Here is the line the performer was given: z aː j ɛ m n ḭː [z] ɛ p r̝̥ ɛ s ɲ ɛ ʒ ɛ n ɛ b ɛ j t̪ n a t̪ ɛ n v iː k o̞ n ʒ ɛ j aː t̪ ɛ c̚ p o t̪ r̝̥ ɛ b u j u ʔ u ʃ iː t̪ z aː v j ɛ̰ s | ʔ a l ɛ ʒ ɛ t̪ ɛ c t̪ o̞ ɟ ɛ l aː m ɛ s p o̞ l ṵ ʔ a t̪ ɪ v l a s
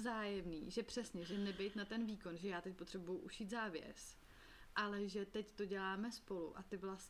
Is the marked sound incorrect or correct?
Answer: incorrect